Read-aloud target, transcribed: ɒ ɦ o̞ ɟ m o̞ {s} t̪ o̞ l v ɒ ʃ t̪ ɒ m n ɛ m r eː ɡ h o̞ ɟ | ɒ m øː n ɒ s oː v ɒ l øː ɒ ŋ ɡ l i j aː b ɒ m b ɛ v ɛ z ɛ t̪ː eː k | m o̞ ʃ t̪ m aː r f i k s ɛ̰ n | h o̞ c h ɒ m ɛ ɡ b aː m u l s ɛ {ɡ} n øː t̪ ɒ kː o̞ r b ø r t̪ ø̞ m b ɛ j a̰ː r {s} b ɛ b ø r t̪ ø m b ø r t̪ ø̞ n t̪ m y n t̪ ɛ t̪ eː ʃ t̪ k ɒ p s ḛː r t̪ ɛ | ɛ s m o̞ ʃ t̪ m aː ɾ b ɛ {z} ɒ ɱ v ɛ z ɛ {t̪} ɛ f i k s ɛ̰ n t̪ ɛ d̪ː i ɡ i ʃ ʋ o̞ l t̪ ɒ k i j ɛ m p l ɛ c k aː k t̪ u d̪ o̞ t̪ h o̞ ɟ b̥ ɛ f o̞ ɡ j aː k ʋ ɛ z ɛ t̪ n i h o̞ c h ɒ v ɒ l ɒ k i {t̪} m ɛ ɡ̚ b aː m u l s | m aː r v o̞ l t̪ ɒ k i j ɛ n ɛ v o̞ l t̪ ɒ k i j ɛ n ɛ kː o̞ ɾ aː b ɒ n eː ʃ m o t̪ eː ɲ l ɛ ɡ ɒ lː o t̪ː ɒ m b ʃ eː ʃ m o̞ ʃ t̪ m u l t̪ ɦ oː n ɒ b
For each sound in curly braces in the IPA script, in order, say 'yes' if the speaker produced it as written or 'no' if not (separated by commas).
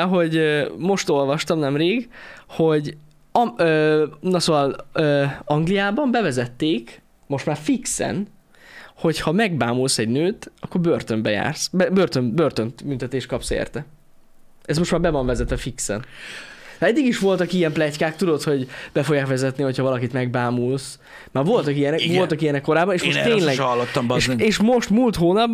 no, no, yes, no, yes, yes